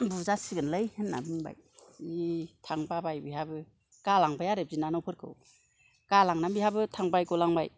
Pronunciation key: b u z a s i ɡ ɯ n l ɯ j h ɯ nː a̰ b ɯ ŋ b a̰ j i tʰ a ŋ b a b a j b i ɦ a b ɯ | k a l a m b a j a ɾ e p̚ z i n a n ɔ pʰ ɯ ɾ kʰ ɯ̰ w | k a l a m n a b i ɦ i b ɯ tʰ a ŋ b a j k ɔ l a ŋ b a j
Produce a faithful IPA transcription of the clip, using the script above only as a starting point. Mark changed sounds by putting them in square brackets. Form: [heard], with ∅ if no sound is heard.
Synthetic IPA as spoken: b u z a s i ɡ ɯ n l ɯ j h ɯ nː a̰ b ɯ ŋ b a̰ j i tʰ a ŋ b a b a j b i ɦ a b ɯ | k a l a [ŋ] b a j a ɾ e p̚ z i n a n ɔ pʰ ɯ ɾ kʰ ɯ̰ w | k a l a [ŋ] n a b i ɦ [a] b ɯ tʰ a ŋ b a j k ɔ l a ŋ b a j